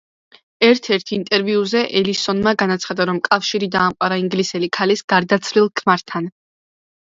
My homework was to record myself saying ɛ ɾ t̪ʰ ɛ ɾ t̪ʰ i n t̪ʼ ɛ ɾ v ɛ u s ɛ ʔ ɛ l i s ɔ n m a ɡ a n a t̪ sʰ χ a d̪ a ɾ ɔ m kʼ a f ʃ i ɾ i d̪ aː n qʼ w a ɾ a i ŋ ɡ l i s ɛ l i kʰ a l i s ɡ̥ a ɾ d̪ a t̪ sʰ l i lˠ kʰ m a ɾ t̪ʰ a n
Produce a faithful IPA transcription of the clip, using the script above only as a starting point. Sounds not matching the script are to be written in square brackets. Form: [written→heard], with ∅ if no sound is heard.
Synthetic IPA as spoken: ɛ ɾ t̪ʰ ɛ ɾ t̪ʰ i n t̪ʼ ɛ ɾ v [ɛ→i] u [s→z] ɛ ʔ ɛ l i s ɔ n m a ɡ a n a t̪ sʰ χ a d̪ a ɾ ɔ m kʼ a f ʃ i ɾ i d̪ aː [n→m] qʼ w a ɾ a i ŋ ɡ l i s ɛ l i kʰ a l i s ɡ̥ a ɾ d̪ a t̪ sʰ l i lˠ kʰ m a ɾ t̪ʰ a n